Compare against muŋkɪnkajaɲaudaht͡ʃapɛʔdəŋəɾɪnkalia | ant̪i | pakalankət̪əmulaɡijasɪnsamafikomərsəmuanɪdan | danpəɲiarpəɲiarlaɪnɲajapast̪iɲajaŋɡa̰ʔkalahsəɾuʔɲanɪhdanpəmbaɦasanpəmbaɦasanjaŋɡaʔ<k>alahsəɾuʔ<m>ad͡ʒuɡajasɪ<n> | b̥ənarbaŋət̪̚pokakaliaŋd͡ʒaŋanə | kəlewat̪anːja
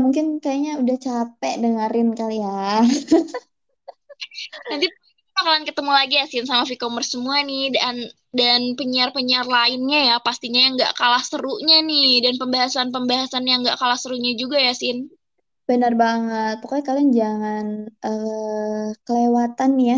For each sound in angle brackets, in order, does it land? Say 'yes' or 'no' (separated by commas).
yes, no, yes